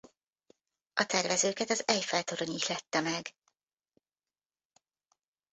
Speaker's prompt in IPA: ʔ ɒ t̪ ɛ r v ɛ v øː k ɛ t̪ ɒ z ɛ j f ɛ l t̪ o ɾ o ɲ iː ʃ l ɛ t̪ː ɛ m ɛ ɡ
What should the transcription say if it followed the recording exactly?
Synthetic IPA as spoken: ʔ ɒ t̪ ɛ r v ɛ z øː k ɛ t̪ ɒ z ɛ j f ɛ l t̪ o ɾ o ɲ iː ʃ l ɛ t̪ː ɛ m ɛ ɡ